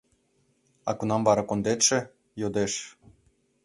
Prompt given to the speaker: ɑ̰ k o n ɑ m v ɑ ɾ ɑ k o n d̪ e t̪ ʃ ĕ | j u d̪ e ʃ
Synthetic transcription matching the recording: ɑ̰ k u n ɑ m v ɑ ɾ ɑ k o n d̪ e t̪ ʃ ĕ | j o d̪ e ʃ

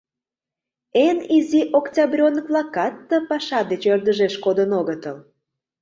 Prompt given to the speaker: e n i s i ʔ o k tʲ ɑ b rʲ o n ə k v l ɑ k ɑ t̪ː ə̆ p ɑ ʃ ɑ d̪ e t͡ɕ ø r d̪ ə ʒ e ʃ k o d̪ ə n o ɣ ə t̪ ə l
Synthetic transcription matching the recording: e n i z i ʔ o k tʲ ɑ b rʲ o n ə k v l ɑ k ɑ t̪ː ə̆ p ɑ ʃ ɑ d̪ e t͡ɕ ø r d̪ ə ʒ e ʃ k o d̪ ə n o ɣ ə t̪ ə l

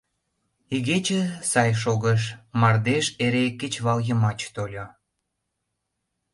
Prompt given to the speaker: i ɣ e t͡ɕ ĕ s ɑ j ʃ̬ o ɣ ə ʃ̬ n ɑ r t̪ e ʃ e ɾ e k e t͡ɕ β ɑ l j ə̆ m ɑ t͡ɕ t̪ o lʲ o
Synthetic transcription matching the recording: i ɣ e t͡ɕ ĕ s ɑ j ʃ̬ o ɣ ə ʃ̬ m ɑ r d̪ e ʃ e ɾ e k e t͡ɕ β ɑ l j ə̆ m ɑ t͡ɕ t̪ o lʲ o

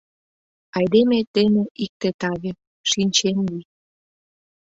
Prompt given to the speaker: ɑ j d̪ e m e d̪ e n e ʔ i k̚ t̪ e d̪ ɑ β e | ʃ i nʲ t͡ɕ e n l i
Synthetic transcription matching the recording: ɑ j d̪ e m e t̪ e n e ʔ i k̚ t̪ e t̪ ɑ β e | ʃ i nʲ t͡ɕ e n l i

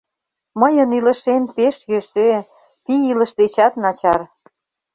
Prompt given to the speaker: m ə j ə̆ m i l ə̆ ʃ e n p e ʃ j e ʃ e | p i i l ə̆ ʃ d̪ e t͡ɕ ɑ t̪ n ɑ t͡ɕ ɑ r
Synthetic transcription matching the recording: m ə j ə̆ n i l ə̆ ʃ e n p e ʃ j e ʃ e | p i i l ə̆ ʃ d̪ e t͡ɕ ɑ t̪ n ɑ t͡ɕ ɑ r

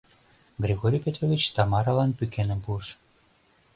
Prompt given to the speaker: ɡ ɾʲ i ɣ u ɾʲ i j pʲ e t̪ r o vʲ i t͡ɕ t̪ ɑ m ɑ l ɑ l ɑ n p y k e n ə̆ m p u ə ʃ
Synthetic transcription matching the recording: ɡ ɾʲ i ɣ o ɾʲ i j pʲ e t̪ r o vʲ i t͡ɕ t̪ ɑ m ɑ ɾ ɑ l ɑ n p y k e n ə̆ m p u ə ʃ

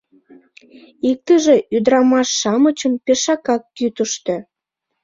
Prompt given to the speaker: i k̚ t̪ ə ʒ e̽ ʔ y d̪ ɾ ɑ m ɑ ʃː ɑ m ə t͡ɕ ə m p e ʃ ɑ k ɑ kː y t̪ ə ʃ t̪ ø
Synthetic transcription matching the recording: i k̚ t̪ ə ʒ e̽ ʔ y d̪ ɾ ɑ m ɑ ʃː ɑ m ə t͡ɕ ə m p e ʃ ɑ k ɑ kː y t̪ ə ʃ t̪ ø

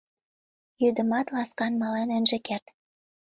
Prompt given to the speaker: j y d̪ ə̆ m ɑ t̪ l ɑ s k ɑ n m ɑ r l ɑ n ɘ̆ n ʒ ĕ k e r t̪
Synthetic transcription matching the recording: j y d̪ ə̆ m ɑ t̪ l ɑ s k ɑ n m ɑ l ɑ n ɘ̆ n ʒ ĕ k e r t̪

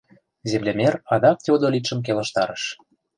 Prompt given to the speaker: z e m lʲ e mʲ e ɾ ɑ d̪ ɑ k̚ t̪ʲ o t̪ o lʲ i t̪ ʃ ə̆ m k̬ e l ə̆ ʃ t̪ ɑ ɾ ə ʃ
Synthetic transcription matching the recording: z e m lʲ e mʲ e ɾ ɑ d̪ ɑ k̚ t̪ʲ o d̪ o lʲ i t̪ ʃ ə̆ m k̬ e l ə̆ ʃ t̪ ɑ ɾ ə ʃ

